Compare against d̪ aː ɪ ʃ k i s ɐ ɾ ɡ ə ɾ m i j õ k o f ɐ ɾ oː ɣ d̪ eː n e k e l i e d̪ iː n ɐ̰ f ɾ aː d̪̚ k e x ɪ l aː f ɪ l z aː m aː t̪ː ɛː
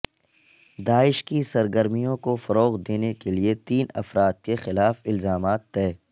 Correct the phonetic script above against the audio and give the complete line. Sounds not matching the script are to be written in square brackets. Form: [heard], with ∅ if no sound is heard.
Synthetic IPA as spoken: d̪ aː ɪ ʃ k i s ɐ ɾ ɡ ə ɾ m i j õ k o f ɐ ɾ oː ɣ d̪ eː n e k e l i e [t̪] iː n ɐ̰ f ɾ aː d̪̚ k e x ɪ l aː f ɪ l z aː m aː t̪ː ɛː